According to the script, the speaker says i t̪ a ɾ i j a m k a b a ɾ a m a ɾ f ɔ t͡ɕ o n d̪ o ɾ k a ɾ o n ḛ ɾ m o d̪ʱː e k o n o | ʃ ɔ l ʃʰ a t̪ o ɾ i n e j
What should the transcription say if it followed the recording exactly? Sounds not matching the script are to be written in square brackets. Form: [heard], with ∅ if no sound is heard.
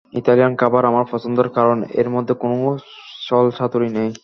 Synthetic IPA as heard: i t̪ a [l] i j a [n] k a b a ɾ a m a ɾ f ɔ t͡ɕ o n d̪ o ɾ k a ɾ o n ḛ ɾ m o d̪ʱː e k o n o | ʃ ɔ l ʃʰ a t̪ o ɾ i n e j